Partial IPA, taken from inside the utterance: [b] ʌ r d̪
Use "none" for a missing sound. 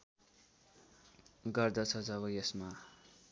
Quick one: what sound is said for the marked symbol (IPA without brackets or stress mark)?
ɡ